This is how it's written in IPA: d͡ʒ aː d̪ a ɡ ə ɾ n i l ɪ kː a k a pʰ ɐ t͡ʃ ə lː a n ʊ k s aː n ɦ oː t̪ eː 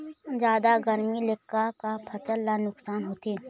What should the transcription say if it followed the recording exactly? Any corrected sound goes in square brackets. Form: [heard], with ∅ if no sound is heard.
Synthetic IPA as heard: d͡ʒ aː d̪ a ɡ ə ɾ [m] i l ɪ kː a k a pʰ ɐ t͡ʃ ə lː a n ʊ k s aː n ɦ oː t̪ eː

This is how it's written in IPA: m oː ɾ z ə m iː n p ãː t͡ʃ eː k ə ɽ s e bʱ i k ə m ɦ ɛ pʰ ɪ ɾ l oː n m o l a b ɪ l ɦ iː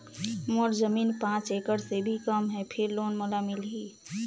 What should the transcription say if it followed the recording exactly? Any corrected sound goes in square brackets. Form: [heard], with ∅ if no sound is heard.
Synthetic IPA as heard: m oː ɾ z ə m iː n p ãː t͡ʃ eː k ə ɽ s e bʱ i k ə m ɦ ɛ pʰ ɪ ɾ l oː n m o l a [m] ɪ l ɦ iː

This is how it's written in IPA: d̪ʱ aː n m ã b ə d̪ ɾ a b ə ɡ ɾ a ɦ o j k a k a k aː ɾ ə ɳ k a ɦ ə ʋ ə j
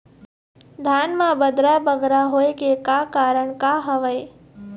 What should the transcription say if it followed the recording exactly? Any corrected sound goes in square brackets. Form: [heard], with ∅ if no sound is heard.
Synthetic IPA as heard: d̪ʱ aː n m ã b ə d̪ ɾ a b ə ɡ ɾ a ɦ o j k [e] k a k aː ɾ ə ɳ k a ɦ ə ʋ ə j

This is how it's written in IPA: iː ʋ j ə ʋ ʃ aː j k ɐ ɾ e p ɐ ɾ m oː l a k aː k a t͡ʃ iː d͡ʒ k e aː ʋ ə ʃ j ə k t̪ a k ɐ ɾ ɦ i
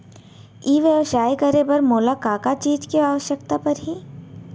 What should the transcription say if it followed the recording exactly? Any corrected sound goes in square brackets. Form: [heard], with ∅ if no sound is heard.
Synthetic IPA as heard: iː ʋ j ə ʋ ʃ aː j k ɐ ɾ e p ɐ ɾ m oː l a k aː k a t͡ʃ iː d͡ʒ k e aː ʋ ə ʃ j ə k t̪ a [p] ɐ ɾ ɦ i

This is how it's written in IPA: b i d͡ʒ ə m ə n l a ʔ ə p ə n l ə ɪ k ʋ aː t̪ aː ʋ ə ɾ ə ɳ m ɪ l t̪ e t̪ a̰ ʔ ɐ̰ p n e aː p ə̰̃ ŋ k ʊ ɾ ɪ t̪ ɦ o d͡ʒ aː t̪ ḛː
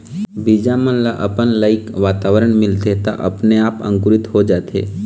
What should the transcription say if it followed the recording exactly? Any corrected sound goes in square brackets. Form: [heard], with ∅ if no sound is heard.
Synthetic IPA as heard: b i d͡ʒ [a] m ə n l a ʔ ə p ə n l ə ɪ k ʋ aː t̪ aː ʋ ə ɾ ə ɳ m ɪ l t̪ e t̪ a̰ ʔ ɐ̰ p n e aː p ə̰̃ ŋ k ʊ ɾ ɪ t̪ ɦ o d͡ʒ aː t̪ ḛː

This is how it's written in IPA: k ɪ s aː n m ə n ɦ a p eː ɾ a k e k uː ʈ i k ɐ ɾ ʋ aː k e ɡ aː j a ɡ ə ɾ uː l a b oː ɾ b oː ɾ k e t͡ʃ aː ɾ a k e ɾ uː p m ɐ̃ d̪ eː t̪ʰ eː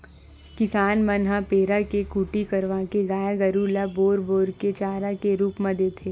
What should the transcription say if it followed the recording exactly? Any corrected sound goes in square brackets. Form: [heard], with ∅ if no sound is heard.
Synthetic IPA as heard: k ɪ s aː n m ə n ɦ a p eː ɾ a k e k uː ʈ i k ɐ ɾ ʋ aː k e ɡ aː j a ɡ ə ɾ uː l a b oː ɾ b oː ɾ k e t͡ʃ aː ɾ a k e ɾ uː p m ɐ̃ d̪ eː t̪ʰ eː

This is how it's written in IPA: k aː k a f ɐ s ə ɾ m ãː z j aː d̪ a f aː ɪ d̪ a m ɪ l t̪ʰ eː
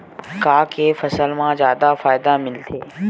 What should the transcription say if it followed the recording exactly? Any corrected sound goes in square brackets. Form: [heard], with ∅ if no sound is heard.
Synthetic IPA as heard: k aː k [e] f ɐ s ə [l] m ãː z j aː d̪ a f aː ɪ d̪ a m ɪ l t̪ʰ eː

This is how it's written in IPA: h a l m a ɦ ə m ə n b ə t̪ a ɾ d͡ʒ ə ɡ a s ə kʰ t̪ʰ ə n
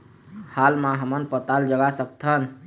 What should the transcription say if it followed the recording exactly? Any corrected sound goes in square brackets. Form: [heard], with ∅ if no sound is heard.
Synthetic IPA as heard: h a l m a ɦ ə m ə n [p] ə t̪ a [l] d͡ʒ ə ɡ a s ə [k] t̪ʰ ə n

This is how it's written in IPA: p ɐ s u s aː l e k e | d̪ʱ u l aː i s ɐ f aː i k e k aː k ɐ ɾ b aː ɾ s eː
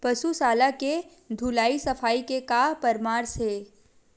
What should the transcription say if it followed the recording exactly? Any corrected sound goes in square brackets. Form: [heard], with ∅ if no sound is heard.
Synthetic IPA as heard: p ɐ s u s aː l [a] k e | d̪ʱ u l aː i s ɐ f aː i k e k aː [p] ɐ ɾ [m] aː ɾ s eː

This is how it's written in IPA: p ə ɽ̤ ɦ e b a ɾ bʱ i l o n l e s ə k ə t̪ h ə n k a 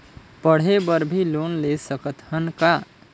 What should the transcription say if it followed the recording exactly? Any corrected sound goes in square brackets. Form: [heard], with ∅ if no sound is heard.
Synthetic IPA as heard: p ə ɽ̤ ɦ e b [ə] ɾ bʱ i l o n l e s ə k ə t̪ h ə n k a

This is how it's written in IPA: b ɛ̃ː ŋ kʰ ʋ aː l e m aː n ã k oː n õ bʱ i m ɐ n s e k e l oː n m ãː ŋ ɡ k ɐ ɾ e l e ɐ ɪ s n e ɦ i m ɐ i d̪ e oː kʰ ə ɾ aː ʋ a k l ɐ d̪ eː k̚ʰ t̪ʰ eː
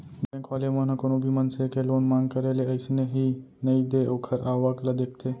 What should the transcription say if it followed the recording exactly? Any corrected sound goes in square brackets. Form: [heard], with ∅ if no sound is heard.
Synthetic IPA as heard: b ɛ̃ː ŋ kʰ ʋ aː l e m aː n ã k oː n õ bʱ i m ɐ n s e k e l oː n m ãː ŋ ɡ k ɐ ɾ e l e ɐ ɪ s n e ɦ i [n] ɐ i d̪ e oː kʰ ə ɾ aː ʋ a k l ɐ d̪ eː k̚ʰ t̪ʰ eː

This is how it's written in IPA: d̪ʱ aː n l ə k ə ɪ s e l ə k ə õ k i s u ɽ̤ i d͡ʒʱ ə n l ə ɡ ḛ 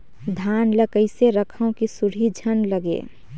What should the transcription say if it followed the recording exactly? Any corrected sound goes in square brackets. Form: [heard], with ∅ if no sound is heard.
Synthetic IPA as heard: d̪ʱ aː n l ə k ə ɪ s e [ɾ] ə [kʰ] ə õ k i s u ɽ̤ i d͡ʒʱ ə n l ə ɡ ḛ

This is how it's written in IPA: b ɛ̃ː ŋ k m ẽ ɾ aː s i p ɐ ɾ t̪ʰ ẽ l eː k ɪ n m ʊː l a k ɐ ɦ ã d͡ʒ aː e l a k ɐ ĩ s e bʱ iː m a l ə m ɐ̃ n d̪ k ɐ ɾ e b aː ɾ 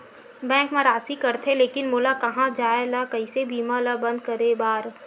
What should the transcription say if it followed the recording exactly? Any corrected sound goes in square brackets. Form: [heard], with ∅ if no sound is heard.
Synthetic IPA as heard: b ɛ̃ː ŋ k m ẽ ɾ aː s i [k] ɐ ɾ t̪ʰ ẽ l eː k ɪ n m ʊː l a k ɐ ɦ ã d͡ʒ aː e l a k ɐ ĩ s e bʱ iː m a l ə [b] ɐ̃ n d̪ k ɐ ɾ e b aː ɾ

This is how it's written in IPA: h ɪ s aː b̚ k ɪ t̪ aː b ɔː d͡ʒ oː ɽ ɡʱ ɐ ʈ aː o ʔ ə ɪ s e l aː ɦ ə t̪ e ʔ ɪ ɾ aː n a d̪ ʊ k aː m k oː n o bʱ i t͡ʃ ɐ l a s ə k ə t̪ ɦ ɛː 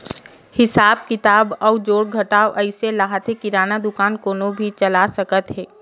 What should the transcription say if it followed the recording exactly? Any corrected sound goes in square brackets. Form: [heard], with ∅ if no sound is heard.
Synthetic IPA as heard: h ɪ s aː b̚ k ɪ t̪ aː b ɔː d͡ʒ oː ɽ ɡʱ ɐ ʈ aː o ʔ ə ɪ s e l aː ɦ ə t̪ e [k] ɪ ɾ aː n a d̪ ʊ k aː [n] k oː n o bʱ i t͡ʃ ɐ l a s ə k ə t̪ ɦ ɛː

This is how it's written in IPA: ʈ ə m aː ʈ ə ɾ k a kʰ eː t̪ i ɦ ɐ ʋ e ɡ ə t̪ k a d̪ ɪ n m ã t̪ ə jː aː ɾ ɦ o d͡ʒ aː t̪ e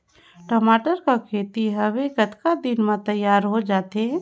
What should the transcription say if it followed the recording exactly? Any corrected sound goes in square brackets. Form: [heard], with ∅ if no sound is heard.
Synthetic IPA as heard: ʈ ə m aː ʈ ə ɾ k a kʰ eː t̪ i ɦ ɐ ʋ e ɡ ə t̪ k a d̪ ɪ n m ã t̪ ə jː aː ɾ ɦ o d͡ʒ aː t̪ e

